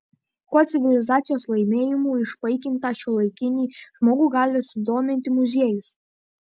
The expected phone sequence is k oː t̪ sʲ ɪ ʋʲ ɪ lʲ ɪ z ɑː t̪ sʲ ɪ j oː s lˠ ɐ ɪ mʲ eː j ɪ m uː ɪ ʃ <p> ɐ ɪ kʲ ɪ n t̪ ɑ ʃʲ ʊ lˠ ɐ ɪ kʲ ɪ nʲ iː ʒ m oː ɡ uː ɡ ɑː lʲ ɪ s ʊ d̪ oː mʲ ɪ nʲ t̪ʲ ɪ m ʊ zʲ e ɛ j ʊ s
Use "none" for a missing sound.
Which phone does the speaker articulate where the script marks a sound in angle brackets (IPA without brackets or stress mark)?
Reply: p